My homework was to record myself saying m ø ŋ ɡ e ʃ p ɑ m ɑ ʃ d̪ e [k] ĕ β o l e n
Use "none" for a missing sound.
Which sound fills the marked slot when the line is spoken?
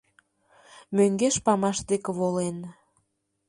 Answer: k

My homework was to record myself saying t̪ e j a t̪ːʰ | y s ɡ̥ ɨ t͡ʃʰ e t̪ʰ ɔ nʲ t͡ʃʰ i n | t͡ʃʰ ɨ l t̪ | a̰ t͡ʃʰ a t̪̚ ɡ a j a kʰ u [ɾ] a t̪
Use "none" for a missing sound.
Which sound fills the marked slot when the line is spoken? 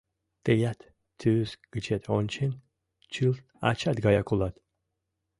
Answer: l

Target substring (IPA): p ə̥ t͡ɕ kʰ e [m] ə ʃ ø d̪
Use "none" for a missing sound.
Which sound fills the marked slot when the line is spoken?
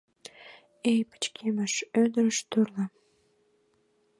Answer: m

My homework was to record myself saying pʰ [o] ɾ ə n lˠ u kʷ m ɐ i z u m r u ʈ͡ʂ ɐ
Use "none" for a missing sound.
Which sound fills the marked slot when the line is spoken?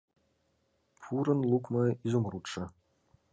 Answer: u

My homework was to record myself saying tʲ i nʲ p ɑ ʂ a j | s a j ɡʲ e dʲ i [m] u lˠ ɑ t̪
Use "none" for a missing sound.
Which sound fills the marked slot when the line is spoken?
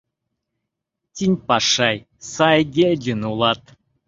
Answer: n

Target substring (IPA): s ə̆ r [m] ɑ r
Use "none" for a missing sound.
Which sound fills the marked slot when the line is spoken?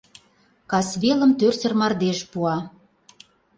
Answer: m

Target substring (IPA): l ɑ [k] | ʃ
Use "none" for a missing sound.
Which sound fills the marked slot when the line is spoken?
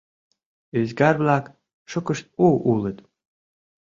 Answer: k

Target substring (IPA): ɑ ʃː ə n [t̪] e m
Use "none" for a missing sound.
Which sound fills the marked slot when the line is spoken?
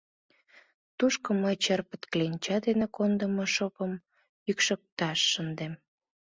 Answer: d̪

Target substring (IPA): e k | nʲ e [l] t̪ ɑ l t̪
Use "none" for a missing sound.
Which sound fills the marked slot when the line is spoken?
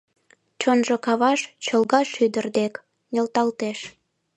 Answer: l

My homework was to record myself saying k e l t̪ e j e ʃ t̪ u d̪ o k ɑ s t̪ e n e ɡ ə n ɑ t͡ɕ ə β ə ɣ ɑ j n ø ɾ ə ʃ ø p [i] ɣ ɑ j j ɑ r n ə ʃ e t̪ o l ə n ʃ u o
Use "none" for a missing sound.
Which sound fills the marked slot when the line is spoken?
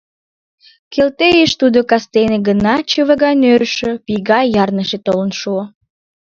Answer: i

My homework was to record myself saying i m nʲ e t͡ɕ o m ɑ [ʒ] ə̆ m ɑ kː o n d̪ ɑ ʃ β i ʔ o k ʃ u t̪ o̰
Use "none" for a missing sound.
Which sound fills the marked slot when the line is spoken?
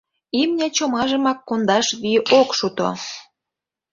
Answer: ʒ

